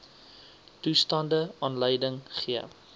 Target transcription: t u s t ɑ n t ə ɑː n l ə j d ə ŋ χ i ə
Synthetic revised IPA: t u s t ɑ n d ə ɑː n l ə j d ə ŋ χ i ə